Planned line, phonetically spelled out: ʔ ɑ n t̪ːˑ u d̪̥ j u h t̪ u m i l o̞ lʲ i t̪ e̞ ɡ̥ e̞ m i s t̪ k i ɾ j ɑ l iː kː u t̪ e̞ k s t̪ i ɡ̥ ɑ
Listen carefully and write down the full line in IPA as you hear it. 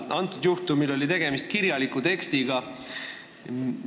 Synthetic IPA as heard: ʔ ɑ n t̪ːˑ u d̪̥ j u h t̪ u m i l o̞ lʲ i t̪ e̞ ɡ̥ e̞ m i s t̪ k i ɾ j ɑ l i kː u t̪ e̞ k s t̪ i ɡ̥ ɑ